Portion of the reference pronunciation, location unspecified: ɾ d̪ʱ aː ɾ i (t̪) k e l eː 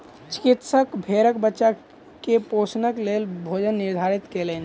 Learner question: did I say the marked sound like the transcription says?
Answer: yes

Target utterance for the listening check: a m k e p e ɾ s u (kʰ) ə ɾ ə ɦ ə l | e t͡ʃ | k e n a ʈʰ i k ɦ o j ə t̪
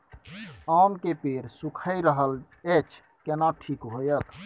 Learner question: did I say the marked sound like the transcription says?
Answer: yes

